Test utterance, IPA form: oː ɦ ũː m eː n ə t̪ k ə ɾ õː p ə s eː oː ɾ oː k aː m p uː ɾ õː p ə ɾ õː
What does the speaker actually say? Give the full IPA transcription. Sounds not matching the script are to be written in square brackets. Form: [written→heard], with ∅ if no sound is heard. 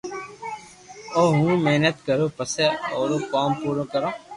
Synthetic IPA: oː ɦ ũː m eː n ə t̪ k ə ɾ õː p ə s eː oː ɾ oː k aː m p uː ɾ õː [p→k] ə ɾ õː